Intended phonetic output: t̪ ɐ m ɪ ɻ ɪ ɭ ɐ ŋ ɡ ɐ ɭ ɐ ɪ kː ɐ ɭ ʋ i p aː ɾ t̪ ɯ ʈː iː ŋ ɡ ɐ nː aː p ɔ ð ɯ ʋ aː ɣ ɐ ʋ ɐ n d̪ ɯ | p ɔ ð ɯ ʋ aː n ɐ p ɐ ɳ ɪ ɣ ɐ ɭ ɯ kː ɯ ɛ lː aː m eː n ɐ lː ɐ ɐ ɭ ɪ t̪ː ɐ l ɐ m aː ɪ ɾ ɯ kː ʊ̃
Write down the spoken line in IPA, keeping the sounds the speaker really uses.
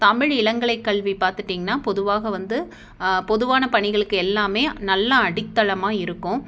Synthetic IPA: t̪ ɐ m ɪ ɻ ɪ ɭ ɐ ŋ ɡ ɐ ɭ ɐ ɪ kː ɐ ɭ ʋ i p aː ɾ t̪ ɯ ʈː iː ŋ ɡ ɐ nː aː p ɔ ð ɯ ʋ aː ɣ ɐ ʋ ɐ n d̪ ɯ | p ɔ ð ɯ ʋ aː n ɐ p ɐ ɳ ɪ ɣ ɐ ɭ ɯ kː ɯ ɛ lː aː m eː n ɐ lː ɐ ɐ ɽ ɪ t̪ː ɐ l ɐ m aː ɪ ɾ ɯ kː ʊ̃